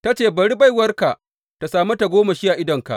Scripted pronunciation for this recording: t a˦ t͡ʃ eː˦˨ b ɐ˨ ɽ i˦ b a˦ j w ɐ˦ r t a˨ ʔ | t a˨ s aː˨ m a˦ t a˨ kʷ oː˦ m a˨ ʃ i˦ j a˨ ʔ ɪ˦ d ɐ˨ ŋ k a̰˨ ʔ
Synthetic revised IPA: t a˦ t͡ʃ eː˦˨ b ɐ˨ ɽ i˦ b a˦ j w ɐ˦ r k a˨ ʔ | t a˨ s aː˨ m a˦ t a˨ ɡʷ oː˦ m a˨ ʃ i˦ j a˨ ʔ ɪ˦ d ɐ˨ ŋ k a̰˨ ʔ